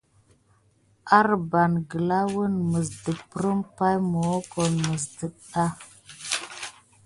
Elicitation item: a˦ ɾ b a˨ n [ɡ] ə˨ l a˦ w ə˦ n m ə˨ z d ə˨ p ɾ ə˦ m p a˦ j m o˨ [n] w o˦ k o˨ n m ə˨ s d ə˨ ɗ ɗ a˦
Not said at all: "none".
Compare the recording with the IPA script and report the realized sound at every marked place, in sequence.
ɡ, none

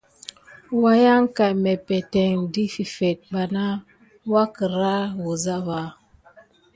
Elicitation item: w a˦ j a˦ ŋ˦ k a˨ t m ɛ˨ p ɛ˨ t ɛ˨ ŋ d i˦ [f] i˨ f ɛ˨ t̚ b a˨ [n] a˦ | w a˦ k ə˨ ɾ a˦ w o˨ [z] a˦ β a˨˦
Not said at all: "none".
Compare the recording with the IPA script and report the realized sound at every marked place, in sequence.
f, n, z

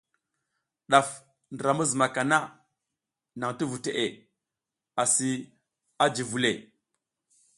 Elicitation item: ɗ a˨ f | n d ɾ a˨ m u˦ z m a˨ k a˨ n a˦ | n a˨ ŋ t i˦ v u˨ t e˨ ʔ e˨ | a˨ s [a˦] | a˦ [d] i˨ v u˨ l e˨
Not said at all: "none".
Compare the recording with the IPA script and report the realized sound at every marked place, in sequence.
i˦, d͡ʒ

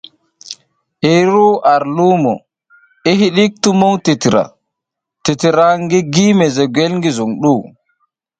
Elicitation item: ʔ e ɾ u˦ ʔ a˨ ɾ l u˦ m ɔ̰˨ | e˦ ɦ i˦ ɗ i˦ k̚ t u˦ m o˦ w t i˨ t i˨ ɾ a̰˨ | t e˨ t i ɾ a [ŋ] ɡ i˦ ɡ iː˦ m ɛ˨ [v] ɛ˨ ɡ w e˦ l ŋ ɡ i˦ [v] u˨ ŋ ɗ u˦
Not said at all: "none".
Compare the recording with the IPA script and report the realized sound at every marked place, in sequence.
ŋ, z, z

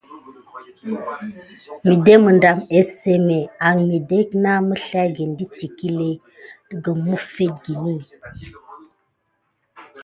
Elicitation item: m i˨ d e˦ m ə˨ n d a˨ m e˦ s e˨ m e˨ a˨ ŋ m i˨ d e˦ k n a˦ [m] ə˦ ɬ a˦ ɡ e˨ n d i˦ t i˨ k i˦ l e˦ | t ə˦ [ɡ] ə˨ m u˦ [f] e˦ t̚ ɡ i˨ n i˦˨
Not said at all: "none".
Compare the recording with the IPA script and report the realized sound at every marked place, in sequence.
m, ɡ, f

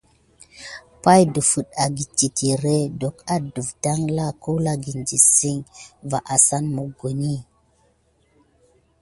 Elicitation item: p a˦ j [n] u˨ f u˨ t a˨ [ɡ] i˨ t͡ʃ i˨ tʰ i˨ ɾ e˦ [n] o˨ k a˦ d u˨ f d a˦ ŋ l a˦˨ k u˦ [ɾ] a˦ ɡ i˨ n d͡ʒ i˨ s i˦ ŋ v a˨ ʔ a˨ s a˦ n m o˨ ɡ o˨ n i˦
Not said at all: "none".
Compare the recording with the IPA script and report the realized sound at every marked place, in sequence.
d, ɡ, d, l

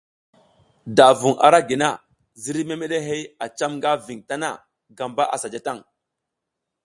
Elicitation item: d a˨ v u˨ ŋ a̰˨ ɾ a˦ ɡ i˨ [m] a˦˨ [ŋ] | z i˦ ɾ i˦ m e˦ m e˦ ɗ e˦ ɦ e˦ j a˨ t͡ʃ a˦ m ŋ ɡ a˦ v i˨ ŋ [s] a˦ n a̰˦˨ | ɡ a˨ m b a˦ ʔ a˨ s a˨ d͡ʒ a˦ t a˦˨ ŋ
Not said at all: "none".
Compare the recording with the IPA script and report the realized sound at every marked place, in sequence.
n, none, t

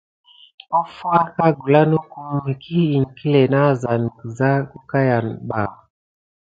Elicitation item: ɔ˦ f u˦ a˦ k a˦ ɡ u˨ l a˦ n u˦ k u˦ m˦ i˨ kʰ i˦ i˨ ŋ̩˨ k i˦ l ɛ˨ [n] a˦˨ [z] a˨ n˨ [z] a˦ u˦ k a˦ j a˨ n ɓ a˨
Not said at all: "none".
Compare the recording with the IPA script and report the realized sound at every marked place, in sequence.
n, z, z

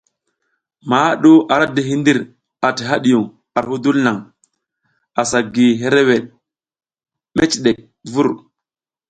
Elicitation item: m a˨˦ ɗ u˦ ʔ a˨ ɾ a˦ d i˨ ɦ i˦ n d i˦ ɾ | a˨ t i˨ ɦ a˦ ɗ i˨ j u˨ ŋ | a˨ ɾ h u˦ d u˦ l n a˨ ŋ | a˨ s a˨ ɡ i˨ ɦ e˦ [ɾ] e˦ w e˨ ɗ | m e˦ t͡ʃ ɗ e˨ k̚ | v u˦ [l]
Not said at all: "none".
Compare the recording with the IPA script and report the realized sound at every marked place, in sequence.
ɾ, ɾ

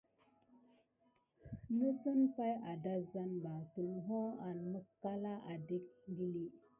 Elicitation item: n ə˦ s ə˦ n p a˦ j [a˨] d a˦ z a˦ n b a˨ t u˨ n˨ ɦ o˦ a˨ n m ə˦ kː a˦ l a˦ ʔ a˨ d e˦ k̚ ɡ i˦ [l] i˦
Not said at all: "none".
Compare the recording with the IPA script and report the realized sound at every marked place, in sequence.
a˨, l

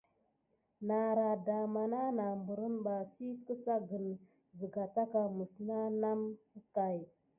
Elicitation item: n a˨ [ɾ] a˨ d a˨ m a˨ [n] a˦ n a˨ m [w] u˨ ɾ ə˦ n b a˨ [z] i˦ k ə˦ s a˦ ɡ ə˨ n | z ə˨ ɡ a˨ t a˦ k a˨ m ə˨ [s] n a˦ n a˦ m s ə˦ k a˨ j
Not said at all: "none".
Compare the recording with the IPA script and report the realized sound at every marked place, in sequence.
ɾ, n, b, s, s

